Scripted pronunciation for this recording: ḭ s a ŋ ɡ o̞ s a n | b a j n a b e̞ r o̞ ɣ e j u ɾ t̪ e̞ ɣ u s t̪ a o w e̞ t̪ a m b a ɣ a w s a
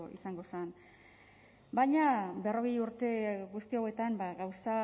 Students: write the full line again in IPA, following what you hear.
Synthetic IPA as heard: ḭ s a ŋ ɡ o̞ s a n | b a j ɲ a b e̞ r o̞ ɣ e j u ɾ t̪ e̞ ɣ u s t̪ i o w e̞ t̪ a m b a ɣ a w s a